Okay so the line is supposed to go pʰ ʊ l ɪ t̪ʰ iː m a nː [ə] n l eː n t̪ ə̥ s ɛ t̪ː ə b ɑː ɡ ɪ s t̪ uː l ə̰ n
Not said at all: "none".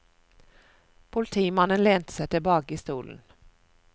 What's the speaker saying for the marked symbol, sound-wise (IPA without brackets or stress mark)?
ə